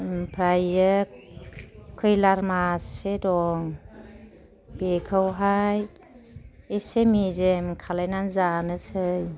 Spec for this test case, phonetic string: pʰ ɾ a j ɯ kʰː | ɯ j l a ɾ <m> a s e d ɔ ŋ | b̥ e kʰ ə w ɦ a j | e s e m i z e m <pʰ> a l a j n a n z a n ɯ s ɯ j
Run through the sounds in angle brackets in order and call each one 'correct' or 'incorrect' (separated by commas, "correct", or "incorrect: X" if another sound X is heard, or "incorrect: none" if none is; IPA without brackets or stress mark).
correct, incorrect: kʰ